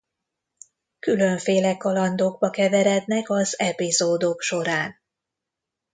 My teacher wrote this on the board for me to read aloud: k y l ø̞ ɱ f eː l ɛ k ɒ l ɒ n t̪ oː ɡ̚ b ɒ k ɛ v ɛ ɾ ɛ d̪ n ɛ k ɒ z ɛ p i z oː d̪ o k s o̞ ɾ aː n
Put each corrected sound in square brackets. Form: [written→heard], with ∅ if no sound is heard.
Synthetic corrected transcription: k y l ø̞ ɱ f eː l ɛ k ɒ l ɒ n [t̪→d̪] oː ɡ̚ b ɒ k ɛ v ɛ ɾ ɛ d̪ n ɛ k ɒ z ɛ p i z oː d̪ o k [s→ʃ] o̞ ɾ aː n